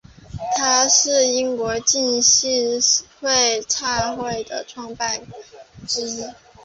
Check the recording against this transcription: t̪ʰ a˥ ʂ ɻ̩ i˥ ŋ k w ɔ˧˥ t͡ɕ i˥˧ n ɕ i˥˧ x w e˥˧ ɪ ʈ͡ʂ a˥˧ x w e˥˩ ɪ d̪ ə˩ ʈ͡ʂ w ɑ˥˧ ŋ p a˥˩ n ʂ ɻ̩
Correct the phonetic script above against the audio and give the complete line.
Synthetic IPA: t̪ʰ a˥ ʂ ɻ̩ i˥ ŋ k w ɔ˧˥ t͡ɕ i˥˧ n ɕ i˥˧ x w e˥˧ ɪ ʈ͡ʂʰ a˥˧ x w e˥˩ ɪ d̪ ə˩ ʈ͡ʂʰ w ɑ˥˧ ŋ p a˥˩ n ʈ͡ʂ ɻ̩